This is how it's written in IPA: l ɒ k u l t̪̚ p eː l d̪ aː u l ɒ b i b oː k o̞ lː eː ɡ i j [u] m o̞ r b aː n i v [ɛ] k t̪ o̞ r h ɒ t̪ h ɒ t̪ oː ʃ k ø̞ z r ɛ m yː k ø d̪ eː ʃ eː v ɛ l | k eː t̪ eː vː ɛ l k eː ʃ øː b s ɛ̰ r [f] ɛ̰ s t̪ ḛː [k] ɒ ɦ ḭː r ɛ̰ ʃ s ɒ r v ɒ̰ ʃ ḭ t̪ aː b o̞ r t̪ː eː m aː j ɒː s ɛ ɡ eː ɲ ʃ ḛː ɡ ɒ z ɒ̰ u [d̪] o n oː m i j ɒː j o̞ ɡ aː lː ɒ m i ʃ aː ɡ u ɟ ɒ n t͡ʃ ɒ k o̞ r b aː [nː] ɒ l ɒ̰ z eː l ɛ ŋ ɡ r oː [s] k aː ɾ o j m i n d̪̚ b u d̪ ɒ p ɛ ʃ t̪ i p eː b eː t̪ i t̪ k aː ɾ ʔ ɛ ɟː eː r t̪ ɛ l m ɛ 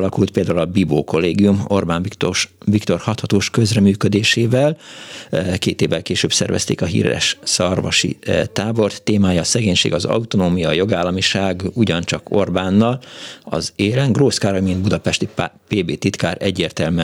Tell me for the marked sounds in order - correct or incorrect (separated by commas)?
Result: correct, incorrect, incorrect, correct, incorrect, correct, correct